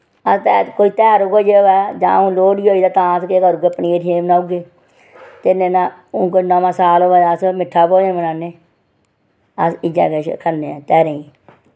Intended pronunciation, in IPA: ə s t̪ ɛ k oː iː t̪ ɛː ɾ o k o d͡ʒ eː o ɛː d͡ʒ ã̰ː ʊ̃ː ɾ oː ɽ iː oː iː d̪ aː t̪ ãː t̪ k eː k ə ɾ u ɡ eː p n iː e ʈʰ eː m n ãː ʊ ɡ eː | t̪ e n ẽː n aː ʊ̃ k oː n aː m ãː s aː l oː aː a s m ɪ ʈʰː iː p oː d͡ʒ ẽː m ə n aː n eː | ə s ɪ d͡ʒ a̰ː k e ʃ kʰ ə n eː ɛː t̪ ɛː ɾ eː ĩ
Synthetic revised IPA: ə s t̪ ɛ k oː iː t̪ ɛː ɾ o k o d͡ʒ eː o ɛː d͡ʒ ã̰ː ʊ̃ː l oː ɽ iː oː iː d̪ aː t̪ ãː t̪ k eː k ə ɾ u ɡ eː p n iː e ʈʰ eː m n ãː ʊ ɡ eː | t̪ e n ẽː n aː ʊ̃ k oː n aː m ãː s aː l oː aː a s m ɪ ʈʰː aː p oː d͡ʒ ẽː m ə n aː n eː | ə s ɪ d͡ʒ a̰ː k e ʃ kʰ ə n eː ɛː t̪ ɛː ɾ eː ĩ

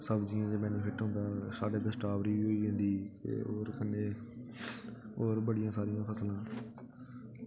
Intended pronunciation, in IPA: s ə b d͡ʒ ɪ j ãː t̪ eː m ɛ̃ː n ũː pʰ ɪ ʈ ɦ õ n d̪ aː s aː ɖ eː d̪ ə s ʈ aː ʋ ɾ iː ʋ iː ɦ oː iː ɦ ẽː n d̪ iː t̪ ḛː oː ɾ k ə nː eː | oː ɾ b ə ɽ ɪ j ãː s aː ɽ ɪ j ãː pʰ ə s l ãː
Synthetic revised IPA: s ə b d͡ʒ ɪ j ãː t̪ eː m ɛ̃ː n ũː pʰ ɪ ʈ ɦ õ n d̪ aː s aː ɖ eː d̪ ə s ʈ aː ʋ ɾ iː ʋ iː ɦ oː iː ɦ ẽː n d̪ iː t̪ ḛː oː ɾ k ə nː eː | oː ɾ b ə ɽ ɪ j ãː s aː ɾ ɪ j ãː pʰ ə s l ãː

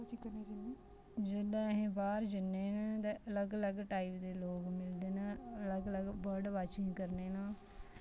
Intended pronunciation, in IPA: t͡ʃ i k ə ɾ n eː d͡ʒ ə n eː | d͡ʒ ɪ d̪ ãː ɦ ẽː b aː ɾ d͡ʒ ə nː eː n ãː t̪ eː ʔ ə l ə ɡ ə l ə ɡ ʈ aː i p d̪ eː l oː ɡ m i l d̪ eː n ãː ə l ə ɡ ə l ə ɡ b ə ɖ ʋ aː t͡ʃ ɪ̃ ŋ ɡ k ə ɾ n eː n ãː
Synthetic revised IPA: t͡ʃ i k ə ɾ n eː d͡ʒ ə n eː | d͡ʒ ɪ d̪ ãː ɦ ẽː b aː ɾ d͡ʒ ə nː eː n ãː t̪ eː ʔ ə l ə ɡ ə l ə ɡ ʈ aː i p d̪ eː l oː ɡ m ɪ l d̪ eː n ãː ə l ə ɡ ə l ə ɡ b ə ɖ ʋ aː t͡ʃ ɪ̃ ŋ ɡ k ə ɾ n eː n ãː

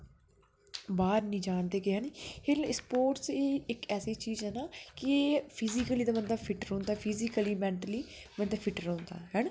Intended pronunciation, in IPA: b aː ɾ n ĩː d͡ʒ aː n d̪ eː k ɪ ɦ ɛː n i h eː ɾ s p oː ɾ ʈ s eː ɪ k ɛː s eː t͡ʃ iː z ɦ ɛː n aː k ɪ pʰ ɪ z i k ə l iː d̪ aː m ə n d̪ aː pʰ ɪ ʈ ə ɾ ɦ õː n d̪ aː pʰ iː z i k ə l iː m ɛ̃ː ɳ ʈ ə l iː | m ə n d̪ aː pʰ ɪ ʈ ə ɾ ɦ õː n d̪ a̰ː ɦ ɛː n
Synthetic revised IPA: b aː ɾ n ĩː d͡ʒ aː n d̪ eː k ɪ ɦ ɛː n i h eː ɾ s p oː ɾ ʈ s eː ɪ k ɛː s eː t͡ʃ iː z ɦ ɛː n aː k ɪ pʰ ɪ z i k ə l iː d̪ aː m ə n d̪ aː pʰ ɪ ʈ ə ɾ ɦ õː n d̪ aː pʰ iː z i k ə l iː m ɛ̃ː ɳ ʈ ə l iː | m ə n d̪ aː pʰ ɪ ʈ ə ɾ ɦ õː n d̪ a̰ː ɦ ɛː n

